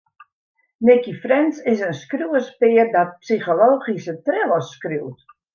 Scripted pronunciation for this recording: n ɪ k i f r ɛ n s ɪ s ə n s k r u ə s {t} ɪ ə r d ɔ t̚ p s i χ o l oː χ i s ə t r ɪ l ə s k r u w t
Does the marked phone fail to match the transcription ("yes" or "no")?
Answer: yes